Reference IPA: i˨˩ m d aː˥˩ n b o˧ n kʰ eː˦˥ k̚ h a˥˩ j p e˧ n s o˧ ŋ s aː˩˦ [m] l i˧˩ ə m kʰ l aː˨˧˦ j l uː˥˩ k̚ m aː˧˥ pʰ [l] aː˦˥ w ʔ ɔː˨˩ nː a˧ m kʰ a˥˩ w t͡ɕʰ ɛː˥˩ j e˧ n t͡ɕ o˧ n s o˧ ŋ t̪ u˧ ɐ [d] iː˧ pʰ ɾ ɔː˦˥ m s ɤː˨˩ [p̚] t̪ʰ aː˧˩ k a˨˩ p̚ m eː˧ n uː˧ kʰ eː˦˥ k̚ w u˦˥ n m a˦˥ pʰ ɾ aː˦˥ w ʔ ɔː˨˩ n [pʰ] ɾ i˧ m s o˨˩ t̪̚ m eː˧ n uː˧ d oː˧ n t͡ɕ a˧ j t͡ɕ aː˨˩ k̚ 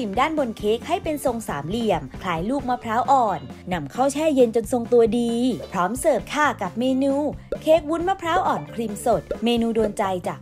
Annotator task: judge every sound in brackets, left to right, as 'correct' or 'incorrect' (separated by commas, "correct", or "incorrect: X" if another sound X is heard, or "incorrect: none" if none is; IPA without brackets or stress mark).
correct, incorrect: ɾ, correct, correct, incorrect: kʰ